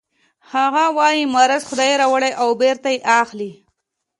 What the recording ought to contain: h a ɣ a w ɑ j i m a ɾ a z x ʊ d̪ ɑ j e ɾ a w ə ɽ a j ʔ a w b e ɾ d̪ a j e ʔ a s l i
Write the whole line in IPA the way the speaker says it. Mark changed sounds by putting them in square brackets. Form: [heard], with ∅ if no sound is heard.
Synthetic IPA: h a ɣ a w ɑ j i m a ɾ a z x ʊ d̪ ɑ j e ɾ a w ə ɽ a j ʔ a w b e ɾ [t̪] a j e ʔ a [x] l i